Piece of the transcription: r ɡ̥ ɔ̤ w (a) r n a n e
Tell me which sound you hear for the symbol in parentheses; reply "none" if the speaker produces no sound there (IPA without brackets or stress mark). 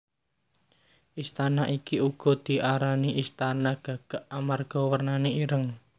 ə